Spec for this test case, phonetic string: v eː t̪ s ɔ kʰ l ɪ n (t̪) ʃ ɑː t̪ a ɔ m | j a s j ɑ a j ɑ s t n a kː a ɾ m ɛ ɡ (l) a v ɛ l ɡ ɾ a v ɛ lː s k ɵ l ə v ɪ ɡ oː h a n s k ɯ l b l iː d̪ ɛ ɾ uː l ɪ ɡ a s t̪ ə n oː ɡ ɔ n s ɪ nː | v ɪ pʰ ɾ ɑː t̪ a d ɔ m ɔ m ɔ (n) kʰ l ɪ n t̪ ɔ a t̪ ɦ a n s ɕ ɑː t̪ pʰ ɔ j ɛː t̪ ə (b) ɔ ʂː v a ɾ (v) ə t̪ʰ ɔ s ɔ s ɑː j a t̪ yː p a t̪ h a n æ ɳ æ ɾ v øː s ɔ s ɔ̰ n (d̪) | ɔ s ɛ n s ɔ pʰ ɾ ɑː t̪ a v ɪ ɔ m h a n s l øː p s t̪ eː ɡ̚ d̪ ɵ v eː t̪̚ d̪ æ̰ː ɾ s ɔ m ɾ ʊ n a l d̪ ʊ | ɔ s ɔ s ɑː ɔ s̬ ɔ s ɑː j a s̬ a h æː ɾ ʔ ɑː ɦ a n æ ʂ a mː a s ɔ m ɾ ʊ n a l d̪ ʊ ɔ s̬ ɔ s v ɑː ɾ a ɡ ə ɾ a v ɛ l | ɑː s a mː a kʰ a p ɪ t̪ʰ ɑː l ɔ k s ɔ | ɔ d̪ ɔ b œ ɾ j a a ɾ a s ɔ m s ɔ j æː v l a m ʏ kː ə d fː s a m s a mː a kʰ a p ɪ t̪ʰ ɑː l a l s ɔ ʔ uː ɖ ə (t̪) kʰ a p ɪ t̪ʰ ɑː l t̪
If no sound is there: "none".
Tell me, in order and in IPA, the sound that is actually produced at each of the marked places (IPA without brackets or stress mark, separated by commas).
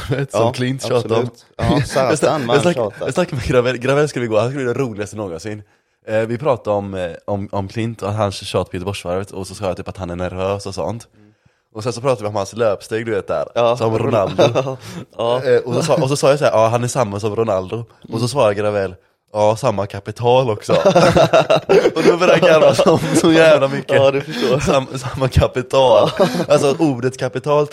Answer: t̪, ɾ, m, b, v, t̪, t̪